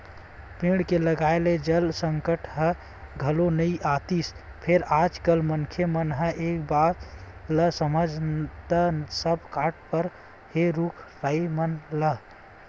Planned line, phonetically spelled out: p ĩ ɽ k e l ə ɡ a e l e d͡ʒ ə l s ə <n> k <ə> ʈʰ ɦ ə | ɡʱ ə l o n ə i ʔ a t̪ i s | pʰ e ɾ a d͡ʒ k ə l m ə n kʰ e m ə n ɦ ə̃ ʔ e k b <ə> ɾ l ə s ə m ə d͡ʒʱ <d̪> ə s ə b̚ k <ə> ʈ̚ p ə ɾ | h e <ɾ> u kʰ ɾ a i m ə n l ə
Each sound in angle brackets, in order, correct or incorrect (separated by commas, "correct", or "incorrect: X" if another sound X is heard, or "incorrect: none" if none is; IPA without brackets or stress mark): incorrect: ŋ, correct, incorrect: a, incorrect: t̪, incorrect: a, correct